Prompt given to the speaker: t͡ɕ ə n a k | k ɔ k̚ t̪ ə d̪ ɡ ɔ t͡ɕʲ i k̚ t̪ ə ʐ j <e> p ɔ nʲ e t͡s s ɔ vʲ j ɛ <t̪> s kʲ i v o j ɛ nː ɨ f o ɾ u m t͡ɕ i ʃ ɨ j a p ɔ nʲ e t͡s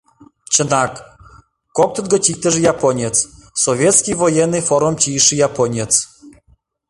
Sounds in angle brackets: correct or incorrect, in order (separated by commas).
incorrect, correct